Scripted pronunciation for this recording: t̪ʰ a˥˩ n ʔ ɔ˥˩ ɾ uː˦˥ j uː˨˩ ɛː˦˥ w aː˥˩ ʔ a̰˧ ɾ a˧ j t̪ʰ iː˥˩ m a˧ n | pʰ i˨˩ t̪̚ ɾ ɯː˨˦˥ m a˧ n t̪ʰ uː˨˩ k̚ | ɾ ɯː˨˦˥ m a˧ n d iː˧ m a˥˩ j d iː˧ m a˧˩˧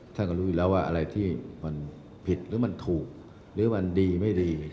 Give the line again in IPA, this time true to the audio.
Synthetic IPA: t̪ʰ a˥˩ n k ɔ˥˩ ɾ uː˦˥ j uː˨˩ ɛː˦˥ w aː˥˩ ʔ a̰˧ ɾ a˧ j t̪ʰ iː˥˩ m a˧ n | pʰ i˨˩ t̪̚ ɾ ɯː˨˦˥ m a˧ n t̪ʰ uː˨˩ k̚ | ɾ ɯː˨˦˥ m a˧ n d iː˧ m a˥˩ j d iː˧ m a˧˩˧

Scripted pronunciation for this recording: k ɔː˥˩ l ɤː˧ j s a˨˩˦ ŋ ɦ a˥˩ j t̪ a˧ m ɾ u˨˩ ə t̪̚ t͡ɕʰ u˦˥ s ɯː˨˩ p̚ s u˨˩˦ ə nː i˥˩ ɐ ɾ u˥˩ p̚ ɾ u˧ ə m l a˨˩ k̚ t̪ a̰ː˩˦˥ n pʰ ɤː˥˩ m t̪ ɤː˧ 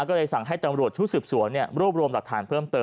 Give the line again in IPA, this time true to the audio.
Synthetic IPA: k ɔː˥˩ l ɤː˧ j s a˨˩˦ ŋ ɦ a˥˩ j t̪ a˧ m ɾ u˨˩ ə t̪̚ t͡ɕʰ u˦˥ s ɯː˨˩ p̚ s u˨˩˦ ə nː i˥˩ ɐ ɾ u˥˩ p̚ ɾ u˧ ə m l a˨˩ k̚ t̪ʰ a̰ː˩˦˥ n pʰ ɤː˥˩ m t̪ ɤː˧

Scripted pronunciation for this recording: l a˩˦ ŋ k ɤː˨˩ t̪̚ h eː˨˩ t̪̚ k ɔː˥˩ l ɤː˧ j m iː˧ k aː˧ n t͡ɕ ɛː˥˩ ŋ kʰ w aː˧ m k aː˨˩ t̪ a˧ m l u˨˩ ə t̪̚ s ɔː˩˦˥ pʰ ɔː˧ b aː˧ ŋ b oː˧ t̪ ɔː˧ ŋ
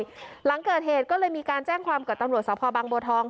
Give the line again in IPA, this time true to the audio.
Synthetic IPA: l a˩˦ ŋ k ɤː˨˩ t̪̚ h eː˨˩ t̪̚ k ɔː˥˩ l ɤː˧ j m iː˧ k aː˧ n t͡ɕ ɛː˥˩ ŋ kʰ w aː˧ m k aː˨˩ t̪ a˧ m ɾ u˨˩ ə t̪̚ s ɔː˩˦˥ pʰ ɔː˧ b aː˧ ŋ b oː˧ t̪ʰ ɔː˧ ŋ

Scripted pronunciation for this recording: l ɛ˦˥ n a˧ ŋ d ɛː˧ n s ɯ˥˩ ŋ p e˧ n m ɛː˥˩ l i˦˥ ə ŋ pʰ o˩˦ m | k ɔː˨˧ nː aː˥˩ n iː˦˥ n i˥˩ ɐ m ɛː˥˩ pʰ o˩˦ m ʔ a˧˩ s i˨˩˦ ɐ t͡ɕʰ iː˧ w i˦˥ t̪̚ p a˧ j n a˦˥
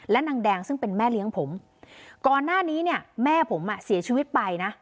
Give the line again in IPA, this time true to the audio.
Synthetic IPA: l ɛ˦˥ n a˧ ŋ d ɛː˧ ŋ s ɯ˥˩ ŋ p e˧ n m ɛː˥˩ l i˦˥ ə ŋ pʰ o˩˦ m | k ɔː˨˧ nː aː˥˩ n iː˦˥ n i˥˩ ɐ m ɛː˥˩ pʰ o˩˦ m ʔ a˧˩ s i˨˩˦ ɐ t͡ɕʰ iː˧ w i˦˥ t̪̚ p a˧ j n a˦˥

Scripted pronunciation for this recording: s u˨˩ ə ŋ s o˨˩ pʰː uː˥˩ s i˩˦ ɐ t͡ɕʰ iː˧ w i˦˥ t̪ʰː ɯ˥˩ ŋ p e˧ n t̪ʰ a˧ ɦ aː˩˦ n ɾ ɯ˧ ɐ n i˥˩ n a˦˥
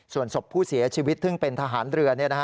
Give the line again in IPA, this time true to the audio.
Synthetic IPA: s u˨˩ ə n s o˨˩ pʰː uː˥˩ s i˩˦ ɐ t͡ɕʰ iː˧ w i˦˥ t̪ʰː ɯ˥˩ ŋ p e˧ n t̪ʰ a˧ ɦ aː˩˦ n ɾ ɯ˧ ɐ n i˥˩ n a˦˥

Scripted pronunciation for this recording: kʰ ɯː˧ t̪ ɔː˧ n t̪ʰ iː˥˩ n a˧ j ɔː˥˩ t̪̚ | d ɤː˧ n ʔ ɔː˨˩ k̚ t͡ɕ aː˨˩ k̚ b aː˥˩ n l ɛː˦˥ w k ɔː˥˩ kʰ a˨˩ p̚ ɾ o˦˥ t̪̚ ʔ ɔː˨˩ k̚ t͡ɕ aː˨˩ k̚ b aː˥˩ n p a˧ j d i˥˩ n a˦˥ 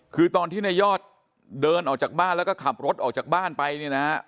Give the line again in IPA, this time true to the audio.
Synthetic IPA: kʰ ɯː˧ t̪ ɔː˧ n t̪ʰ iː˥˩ n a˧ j ɔː˥˩ t̪̚ | d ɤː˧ n ʔ ɔː˨˩ k̚ t͡ɕ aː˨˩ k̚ b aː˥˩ n l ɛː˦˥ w k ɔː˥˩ kʰ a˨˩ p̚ ɾ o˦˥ t̪̚ ʔ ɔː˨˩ k̚ t͡ɕ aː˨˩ k̚ b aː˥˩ n p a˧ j n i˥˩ n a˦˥

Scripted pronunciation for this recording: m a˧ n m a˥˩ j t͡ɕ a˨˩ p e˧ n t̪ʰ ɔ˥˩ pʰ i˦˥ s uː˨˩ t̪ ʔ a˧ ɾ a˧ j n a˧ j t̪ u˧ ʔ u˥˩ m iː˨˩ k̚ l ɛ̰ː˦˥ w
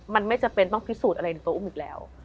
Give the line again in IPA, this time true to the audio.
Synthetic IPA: m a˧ n m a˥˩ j t͡ɕ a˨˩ p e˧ n t̪ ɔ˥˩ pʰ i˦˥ s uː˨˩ t̪ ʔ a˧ ɾ a˧ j n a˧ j t̪ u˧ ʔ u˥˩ m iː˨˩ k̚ l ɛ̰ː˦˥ w

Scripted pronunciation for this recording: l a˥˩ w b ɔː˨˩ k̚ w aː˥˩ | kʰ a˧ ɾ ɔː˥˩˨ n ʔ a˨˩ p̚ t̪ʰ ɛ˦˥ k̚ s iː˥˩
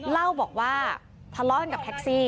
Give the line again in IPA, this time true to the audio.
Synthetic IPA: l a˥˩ w b ɔː˨˩ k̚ w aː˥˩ | pʰ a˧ l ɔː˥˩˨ n k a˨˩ p̚ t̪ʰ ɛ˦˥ k̚ s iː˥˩

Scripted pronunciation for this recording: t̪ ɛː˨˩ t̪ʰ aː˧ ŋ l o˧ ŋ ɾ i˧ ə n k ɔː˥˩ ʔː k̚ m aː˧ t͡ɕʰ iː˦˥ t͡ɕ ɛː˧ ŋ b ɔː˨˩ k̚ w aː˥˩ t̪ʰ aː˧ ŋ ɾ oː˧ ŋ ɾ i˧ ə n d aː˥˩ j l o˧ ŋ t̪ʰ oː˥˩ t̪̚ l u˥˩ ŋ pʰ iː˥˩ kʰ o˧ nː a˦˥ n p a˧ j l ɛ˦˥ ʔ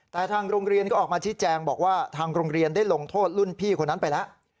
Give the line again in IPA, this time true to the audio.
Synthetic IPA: t̪ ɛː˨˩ t̪ʰ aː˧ ŋ ɾ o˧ ŋ ɾ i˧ ə n k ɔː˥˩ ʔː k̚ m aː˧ t͡ɕʰ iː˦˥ t͡ɕ ɛː˧ ŋ b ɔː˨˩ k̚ w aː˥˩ t̪ʰ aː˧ ŋ ɾ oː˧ ŋ ɾ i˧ ə n d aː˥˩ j l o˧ ŋ t̪ʰ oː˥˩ t̪̚ l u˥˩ n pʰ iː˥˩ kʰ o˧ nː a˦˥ n p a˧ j l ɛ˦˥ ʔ

